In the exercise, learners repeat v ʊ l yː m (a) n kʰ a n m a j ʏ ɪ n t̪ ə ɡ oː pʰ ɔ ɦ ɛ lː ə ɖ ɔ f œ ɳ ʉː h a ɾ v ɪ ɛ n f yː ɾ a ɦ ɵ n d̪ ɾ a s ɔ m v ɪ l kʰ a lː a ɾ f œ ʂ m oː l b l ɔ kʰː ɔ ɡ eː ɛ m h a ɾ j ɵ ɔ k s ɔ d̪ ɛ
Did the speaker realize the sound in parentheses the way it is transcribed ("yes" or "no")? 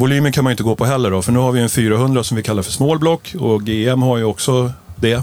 no